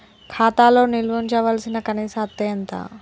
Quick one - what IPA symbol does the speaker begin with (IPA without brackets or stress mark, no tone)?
kʰ